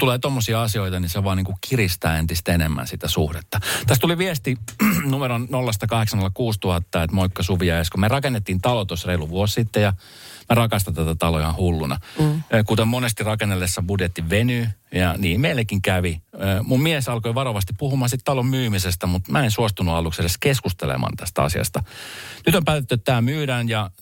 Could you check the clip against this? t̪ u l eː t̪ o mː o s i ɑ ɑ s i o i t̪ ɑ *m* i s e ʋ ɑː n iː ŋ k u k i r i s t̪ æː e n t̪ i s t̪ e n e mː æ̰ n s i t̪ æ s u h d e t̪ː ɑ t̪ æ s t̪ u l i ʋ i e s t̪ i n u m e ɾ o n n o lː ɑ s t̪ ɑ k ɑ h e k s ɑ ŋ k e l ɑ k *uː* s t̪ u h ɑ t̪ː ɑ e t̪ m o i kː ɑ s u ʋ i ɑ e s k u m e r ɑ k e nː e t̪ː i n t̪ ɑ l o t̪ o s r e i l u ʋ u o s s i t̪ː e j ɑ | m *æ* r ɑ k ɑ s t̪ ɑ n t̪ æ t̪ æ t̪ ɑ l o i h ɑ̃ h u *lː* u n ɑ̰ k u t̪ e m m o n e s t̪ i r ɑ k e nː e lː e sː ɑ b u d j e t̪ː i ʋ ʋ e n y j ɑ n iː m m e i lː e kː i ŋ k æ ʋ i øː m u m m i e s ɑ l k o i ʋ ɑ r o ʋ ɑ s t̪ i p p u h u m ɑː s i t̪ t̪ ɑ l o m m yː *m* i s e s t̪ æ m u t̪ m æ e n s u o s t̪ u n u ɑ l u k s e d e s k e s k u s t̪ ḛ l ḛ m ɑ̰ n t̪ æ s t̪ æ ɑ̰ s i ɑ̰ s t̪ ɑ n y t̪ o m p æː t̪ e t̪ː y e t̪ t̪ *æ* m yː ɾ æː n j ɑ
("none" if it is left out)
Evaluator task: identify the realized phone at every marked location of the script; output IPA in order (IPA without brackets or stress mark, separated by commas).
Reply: n, uː, æ, lː, m, æː